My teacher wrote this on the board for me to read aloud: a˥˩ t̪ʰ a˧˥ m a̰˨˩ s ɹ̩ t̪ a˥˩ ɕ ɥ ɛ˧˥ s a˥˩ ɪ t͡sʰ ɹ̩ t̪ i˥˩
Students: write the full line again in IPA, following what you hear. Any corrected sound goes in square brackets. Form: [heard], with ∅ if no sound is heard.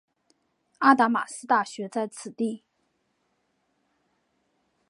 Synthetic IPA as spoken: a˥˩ [t̪] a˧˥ m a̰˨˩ s ɹ̩ t̪ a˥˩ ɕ ɥ ɛ˧˥ [t͡s] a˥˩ ɪ t͡sʰ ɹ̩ t̪ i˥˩